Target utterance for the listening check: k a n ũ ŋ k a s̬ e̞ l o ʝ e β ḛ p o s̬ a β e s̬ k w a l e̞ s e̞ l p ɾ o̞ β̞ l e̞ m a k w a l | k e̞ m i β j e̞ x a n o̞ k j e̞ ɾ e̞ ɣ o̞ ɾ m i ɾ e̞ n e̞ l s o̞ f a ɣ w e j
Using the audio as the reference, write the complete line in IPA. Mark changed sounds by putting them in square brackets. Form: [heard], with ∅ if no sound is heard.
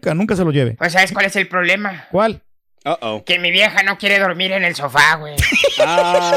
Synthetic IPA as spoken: k a n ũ ŋ k a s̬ e̞ l o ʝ e β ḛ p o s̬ a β e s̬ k w a l e̞ s e̞ l p ɾ o̞ β̞ l e̞ m a k w a l | k e̞ m i β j e̞ x a n o̞ k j e̞ ɾ e̞ [ð] o̞ ɾ m i ɾ e̞ n e̞ l s o̞ f a ɣ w e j